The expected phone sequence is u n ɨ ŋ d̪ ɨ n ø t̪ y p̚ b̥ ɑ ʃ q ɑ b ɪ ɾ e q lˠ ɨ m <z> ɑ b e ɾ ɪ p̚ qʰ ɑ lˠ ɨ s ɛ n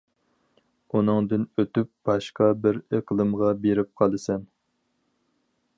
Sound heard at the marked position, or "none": ʁ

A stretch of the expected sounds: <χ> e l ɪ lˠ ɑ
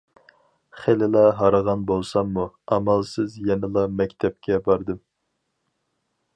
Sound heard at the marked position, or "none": χ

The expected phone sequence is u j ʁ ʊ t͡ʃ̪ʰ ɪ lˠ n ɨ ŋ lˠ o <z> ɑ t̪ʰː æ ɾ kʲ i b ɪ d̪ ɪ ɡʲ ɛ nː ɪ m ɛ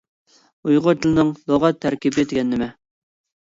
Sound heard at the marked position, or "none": ʁ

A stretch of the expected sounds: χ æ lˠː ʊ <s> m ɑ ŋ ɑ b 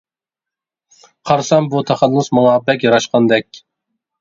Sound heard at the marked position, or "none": s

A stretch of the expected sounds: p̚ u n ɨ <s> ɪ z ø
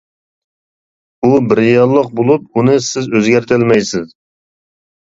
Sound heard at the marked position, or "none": s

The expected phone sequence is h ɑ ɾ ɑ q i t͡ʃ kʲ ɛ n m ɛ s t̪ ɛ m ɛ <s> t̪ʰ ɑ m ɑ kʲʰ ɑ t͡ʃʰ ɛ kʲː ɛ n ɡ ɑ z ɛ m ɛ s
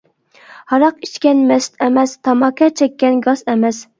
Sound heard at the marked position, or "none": s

